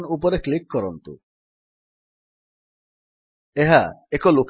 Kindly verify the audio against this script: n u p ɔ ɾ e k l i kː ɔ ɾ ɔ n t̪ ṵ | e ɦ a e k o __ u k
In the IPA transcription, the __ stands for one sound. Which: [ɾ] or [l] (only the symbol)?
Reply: l